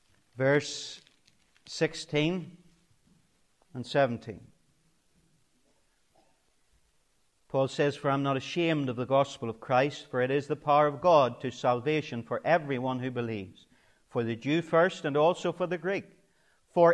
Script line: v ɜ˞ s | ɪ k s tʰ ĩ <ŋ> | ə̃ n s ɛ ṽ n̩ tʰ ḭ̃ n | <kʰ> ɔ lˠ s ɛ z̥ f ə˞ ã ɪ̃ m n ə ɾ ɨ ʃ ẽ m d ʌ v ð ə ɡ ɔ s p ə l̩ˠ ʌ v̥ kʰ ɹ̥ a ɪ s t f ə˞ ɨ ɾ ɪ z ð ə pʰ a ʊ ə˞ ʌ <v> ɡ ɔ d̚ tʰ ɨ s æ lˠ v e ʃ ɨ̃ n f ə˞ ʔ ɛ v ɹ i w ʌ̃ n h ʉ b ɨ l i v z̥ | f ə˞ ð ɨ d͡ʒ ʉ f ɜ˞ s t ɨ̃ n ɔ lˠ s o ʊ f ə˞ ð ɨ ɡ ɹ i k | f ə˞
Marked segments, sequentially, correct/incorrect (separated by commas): incorrect, incorrect, correct